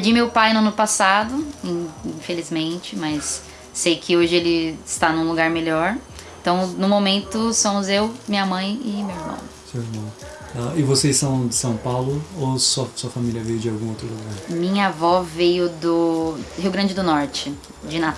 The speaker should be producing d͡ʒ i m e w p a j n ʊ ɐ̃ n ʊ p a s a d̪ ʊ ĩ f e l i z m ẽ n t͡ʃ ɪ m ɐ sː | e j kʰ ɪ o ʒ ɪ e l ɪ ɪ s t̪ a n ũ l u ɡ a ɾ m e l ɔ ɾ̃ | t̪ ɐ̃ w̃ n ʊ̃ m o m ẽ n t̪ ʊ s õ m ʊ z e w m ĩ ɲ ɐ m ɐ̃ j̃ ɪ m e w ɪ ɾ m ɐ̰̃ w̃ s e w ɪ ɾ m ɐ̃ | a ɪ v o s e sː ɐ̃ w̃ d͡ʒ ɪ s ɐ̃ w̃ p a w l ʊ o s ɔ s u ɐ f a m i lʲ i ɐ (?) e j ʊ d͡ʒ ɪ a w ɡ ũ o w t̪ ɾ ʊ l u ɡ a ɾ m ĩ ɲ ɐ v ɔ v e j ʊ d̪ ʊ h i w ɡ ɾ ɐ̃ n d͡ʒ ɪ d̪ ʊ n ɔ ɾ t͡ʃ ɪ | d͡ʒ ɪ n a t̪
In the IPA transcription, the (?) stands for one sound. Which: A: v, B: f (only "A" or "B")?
A